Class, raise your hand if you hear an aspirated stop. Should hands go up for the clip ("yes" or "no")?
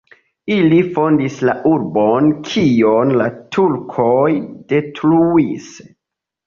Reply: yes